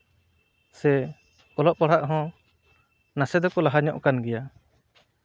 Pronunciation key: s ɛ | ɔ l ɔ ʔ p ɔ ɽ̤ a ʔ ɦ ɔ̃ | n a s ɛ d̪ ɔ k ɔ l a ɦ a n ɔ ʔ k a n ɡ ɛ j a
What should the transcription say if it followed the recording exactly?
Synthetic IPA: s ɛ | ɔ l ɔ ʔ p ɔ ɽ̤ a ʔ ɦ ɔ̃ | n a s ɛ d̪ ɔ k ɔ l a ɦ a ɲ ɔ ʔ k a n ɡ ɛ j a

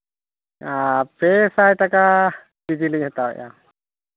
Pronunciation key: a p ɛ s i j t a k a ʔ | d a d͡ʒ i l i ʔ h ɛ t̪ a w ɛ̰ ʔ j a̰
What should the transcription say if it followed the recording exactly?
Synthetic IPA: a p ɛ s a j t a k a | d i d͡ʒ i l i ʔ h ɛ t̪ a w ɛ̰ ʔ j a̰

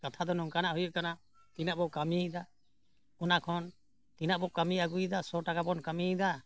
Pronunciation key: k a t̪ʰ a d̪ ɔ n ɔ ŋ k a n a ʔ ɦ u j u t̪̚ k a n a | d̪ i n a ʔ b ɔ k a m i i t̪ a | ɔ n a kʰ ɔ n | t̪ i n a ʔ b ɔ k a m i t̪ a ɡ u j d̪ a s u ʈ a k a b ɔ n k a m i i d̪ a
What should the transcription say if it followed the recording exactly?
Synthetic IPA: k a t̪ʰ a d̪ ɔ n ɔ ŋ k a n a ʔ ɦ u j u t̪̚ k a n a | t̪ i n a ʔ b ɔ k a m i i d̪ a | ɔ n a kʰ ɔ n | t̪ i n a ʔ b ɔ k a m i a ɡ u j d̪ a s ɔ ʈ a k a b ɔ n k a m i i d̪ a

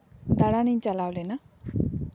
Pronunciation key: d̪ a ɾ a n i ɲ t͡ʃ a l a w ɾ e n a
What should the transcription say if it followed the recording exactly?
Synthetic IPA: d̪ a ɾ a n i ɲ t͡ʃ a l a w l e n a

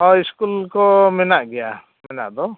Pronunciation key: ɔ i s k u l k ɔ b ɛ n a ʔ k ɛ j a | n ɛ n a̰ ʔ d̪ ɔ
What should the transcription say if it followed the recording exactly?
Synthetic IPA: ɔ i s k u l k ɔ m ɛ n a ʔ ɡ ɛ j a | m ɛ n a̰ ʔ d̪ ɔ

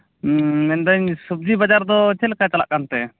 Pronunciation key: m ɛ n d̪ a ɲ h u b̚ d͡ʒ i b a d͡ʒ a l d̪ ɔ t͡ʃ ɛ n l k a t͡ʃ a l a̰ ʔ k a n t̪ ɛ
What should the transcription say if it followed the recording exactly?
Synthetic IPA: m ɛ n d̪ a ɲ s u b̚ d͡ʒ i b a d͡ʒ a ɾ d̪ ɔ t͡ʃ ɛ l k a t͡ʃ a l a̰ ʔ k a n t̪ ɛ

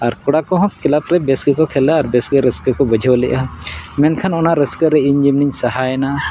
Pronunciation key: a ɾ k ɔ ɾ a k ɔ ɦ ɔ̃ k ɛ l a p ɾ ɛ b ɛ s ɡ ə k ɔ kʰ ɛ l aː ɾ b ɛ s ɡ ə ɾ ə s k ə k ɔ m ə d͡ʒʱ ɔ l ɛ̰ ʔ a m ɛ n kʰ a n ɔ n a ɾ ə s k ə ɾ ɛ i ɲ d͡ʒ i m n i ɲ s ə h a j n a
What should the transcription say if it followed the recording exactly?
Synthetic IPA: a ɾ k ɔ ɽ a k ɔ ɦ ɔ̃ k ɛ l a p ɾ ɛ b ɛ s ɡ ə k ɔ kʰ ɛ l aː ɾ b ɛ s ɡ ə ɾ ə s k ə k ɔ b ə d͡ʒʱ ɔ l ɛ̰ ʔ a m ɛ n kʰ a n ɔ n a ɾ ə s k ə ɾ ɛ i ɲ d͡ʒ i m n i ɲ s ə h a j n a

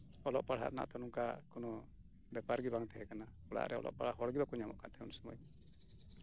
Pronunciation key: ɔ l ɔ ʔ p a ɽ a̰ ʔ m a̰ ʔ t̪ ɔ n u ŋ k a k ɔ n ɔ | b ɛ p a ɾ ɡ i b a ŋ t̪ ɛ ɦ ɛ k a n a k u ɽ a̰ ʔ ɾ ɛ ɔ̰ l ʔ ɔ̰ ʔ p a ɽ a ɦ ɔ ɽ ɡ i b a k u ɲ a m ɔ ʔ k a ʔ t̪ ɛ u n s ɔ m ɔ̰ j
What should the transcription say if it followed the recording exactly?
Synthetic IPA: ɔ l ɔ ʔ p a ɽ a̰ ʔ n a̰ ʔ t̪ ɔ n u ŋ k a k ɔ n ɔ | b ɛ p a ɾ ɡ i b a ŋ t̪ ɛ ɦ ɛ k a n a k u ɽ a̰ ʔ ɾ ɛ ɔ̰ l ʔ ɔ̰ ʔ p a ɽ a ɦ ɔ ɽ ɡ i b a k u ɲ a m ɔ ʔ k a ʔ t̪ ɛ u n s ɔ m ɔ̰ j

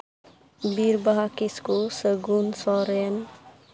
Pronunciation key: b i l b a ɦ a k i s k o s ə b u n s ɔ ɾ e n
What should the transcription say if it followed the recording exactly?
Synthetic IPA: b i ɾ b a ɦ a k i s k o s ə ɡ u n s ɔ ɾ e n

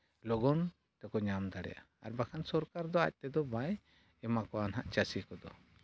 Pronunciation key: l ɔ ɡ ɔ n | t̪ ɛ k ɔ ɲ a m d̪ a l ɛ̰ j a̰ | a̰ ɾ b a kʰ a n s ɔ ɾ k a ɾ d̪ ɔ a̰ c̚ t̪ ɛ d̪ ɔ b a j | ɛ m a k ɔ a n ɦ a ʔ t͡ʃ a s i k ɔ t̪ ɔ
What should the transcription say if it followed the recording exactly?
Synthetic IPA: l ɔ ɡ ɔ n | t̪ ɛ k ɔ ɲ a m d̪ a ɽ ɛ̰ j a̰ | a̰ ɾ b a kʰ a n s ɔ ɾ k a ɾ d̪ ɔ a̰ c̚ t̪ ɛ d̪ ɔ b a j | ɛ m a k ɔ a n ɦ a ʔ t͡ʃ a s i k ɔ d̪ ɔ

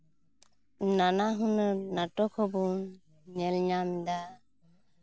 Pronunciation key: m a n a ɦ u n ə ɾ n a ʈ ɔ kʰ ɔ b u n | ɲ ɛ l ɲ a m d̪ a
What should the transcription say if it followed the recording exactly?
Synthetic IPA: n a n a ɦ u n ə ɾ n a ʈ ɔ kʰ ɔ b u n | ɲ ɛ l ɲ a m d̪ a

